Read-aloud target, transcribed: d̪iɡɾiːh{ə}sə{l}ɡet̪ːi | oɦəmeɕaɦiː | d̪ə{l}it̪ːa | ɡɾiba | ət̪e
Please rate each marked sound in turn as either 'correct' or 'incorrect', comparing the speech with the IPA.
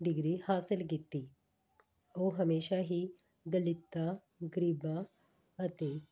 incorrect, correct, correct

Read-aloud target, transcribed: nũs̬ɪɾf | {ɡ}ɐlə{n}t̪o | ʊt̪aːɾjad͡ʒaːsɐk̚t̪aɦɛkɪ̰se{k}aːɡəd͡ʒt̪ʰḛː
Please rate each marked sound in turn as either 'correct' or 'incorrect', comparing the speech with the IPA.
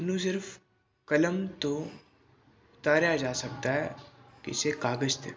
incorrect, incorrect, correct

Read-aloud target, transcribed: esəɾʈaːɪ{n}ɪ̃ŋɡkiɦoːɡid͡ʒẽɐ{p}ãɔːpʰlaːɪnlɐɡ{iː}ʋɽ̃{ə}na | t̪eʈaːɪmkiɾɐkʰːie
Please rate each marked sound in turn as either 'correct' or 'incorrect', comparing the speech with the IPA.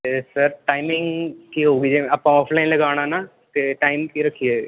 incorrect, correct, incorrect, incorrect

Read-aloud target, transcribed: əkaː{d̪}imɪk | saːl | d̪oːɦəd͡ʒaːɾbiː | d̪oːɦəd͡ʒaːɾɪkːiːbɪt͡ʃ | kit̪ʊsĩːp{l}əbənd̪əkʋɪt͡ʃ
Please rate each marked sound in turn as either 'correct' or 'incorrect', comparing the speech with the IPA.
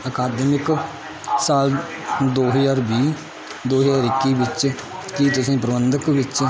correct, incorrect

